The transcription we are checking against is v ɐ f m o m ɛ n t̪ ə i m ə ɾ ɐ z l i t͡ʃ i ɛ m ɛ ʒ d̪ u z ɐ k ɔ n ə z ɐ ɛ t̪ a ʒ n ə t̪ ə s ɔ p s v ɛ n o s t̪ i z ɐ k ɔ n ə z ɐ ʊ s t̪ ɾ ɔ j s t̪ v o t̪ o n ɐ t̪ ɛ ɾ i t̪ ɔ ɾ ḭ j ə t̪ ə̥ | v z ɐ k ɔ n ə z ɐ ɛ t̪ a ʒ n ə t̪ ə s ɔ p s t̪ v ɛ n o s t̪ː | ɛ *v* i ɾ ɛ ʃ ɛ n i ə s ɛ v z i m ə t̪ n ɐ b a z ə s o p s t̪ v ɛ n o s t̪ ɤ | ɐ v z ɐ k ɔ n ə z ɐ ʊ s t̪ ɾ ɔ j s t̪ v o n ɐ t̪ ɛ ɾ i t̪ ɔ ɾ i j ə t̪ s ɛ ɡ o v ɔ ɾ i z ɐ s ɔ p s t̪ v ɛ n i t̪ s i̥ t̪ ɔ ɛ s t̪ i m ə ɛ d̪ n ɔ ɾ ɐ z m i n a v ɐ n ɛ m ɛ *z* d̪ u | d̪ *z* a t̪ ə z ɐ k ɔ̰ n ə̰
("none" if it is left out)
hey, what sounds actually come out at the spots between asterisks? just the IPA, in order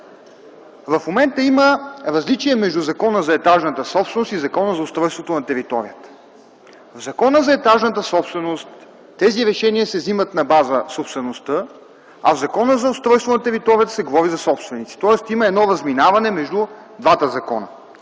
z, ʒ, v

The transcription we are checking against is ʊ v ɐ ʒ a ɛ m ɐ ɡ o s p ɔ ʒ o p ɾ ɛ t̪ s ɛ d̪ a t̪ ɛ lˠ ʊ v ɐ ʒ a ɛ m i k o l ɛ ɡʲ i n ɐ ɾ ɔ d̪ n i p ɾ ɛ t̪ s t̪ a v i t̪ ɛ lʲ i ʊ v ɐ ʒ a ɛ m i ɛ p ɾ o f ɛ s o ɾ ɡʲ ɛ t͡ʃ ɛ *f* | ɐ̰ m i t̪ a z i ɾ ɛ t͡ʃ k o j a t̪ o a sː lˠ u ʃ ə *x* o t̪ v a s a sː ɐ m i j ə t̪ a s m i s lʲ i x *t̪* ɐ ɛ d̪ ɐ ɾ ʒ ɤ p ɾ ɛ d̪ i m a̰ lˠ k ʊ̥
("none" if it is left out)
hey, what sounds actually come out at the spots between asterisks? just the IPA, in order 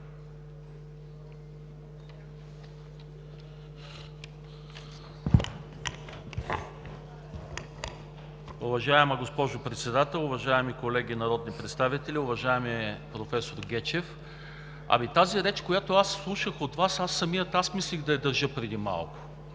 f, x, d̪

